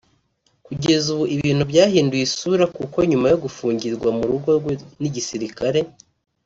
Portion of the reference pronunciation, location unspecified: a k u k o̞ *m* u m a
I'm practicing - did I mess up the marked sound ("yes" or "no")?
yes